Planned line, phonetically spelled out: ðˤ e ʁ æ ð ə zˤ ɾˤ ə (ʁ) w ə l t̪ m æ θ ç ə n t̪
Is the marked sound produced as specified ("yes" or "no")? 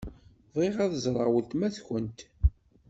yes